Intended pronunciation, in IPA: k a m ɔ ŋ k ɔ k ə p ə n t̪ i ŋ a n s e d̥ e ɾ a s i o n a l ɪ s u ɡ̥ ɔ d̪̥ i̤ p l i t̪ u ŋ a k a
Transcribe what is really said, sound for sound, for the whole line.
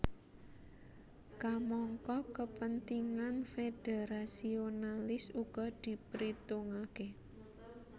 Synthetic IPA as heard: k a m ɔ ŋ k ɔ k ə p ə n t̪ i ŋ a n f e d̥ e ɾ a s i o n a l ɪ s u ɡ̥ ɔ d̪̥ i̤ p ɾ i t̪ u ŋ a k e